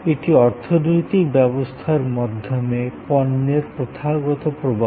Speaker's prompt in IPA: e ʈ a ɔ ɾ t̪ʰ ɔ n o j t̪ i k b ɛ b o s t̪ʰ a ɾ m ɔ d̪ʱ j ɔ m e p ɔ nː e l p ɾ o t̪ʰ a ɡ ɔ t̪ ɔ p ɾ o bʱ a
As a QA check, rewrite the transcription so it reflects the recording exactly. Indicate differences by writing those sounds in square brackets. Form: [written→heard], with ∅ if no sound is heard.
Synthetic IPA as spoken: e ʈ [a→i] ɔ ɾ t̪ʰ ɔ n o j t̪ i k b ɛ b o s t̪ʰ a ɾ m ɔ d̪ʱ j ɔ m e p ɔ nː e [l→ɾ] p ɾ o t̪ʰ a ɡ ɔ t̪ ɔ p ɾ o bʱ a